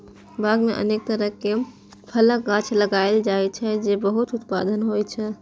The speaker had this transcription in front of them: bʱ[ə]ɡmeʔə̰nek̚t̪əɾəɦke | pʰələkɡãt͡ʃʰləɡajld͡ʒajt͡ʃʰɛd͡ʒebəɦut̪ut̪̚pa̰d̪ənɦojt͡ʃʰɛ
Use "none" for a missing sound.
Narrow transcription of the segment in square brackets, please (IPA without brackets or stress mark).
a